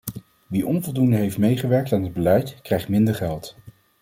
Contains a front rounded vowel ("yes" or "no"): no